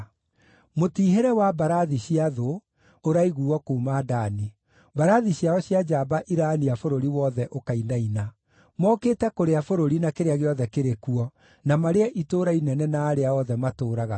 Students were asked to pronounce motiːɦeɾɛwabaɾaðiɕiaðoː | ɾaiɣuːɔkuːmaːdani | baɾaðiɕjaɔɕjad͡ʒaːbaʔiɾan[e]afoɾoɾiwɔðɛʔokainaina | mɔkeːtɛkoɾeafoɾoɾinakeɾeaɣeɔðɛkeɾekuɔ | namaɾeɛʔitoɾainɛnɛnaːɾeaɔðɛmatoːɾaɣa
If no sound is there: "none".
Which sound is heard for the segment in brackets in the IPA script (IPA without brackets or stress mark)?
i